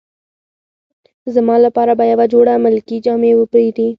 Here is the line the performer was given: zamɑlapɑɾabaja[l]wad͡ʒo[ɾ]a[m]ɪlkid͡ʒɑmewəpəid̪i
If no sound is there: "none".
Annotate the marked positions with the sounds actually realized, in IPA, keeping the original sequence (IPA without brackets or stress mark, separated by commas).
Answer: none, ɽ, m